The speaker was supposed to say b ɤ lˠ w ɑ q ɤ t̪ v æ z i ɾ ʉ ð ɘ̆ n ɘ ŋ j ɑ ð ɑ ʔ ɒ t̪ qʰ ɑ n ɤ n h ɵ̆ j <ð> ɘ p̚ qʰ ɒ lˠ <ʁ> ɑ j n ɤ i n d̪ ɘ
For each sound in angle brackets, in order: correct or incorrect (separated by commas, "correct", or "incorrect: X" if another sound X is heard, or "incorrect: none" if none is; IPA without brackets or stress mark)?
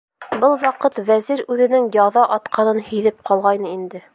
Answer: correct, correct